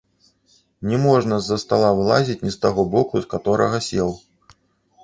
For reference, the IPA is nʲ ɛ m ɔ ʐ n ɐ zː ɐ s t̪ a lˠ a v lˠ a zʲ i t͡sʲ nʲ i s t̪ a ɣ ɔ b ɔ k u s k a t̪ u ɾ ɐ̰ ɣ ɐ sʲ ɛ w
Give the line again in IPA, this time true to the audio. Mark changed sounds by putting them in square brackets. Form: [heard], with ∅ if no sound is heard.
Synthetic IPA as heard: nʲ ɛ m ɔ ʐ n ɐ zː ɐ s t̪ a lˠ a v lˠ a zʲ i t͡sʲ nʲ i s t̪ a ɣ ɔ b ɔ k u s k a t̪ [ɔ] ɾ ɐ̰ ɣ ɐ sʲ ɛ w